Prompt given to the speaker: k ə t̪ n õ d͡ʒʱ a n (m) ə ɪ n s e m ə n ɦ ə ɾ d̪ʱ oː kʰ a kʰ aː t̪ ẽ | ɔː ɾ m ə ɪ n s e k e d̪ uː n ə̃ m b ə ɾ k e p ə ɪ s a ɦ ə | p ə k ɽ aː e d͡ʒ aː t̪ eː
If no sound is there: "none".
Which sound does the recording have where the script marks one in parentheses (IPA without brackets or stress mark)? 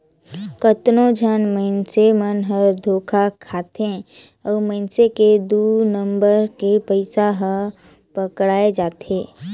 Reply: m